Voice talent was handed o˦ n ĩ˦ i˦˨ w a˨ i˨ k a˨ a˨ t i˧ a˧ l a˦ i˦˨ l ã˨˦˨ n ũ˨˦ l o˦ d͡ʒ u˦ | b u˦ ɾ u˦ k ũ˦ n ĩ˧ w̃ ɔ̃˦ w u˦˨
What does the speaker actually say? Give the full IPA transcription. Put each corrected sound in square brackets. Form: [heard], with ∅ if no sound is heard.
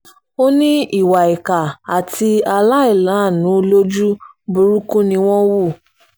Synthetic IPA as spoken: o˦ n ĩ˦ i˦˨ w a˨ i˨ k a˨ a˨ t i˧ a˧ l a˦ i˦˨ l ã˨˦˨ n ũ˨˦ l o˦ d͡ʒ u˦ | b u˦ ɾ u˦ k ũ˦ n ĩ˧ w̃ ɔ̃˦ w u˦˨